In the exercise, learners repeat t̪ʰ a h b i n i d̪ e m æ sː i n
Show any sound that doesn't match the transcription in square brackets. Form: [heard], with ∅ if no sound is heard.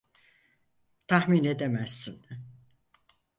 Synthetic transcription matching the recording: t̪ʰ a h [m] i n [e] d̪ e m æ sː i n